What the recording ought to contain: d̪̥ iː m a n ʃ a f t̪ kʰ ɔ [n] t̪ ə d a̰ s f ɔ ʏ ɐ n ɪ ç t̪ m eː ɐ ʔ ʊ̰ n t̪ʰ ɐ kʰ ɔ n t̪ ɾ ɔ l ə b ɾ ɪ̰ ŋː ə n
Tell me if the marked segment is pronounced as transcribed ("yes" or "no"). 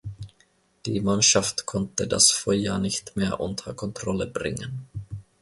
yes